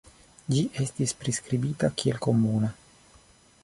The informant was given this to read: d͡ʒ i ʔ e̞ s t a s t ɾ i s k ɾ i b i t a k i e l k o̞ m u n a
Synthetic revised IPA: d͡ʒ i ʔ e̞ s t i s p ɾ i s k ɾ i b i t a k i e l k o̞ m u n a